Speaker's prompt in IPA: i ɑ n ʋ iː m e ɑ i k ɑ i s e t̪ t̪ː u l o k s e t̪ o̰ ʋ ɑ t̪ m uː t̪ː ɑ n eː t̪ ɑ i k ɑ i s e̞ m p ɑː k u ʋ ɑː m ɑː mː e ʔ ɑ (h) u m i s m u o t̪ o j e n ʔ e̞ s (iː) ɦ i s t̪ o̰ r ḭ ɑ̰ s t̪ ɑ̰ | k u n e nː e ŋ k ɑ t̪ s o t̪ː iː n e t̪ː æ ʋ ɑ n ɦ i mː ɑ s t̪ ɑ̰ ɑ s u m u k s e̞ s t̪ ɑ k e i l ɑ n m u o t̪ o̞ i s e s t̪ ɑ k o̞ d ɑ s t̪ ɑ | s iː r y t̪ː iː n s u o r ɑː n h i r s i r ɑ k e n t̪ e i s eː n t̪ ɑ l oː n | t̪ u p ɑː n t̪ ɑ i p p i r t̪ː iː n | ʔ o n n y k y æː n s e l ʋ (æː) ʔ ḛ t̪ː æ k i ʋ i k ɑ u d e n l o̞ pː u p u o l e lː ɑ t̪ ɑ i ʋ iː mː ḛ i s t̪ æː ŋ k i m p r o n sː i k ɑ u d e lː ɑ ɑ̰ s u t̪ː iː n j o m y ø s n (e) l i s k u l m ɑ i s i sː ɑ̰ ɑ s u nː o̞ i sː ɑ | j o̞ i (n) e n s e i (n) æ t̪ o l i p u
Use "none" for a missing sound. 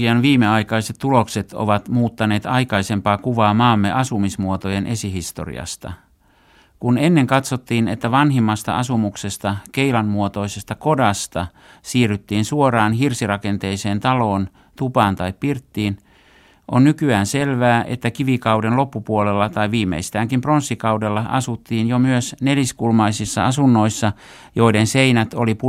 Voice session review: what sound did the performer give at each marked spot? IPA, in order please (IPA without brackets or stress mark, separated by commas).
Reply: s, i, æː, e, d, n